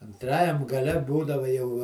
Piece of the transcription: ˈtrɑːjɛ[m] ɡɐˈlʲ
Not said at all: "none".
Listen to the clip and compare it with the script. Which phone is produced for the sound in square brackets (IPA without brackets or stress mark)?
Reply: m